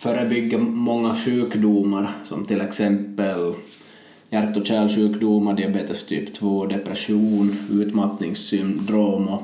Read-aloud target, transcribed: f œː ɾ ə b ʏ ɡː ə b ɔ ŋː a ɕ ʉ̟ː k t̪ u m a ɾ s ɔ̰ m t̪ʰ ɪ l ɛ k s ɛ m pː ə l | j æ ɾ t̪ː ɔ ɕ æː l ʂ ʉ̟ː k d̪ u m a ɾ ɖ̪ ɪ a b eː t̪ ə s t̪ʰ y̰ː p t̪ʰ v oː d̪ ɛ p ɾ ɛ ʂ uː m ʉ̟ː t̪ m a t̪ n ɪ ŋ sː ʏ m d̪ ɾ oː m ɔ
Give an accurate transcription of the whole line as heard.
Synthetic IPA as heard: f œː ɾ ə b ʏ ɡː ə m ɔ ŋː a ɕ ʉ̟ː k d̪ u m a ɾ s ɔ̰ m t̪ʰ ɪ l ɛ k s ɛ m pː ə l | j æ ɾ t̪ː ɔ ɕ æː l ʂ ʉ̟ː k d̪ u m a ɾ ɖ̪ ɪ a b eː t̪ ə s t̪ʰ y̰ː p t̪ʰ v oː d̪ ɛ p ɾ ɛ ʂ uː n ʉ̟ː t̪ m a t̪ n ɪ ŋ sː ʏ m d̪ ɾ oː m ɔ